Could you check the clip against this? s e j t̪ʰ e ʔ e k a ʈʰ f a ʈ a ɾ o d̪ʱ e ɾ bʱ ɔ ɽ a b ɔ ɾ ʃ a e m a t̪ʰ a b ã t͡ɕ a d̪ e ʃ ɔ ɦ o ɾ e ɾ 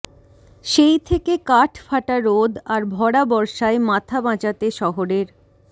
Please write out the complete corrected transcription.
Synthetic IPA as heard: ʃ e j t̪ʰ e k e k a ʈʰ f a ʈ a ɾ o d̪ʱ a ɾ bʱ ɔ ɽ a b ɔ ɾ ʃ a e m a t̪ʰ a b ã t͡ɕ a t̪ e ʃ ɔ ɦ o ɾ e ɾ